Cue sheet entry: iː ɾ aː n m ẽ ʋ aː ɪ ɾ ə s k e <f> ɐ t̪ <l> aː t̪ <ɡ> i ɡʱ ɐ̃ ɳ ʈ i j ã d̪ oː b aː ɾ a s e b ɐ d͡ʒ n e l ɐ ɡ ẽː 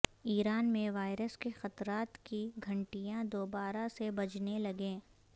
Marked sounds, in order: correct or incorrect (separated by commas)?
incorrect, incorrect, incorrect